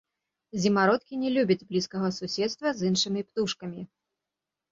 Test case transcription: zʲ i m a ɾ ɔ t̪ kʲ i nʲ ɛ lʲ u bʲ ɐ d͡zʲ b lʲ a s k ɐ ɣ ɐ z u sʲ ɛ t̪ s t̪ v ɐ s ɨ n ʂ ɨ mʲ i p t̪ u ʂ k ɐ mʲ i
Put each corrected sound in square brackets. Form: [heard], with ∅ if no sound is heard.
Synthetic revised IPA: zʲ i m a ɾ ɔ t̪ kʲ i nʲ ɛ lʲ u bʲ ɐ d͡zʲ b lʲ [i] s k ɐ ɣ ɐ [s] u sʲ ɛ t̪ s t̪ v ɐ [z] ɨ n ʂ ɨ mʲ i p t̪ u ʂ k ɐ mʲ i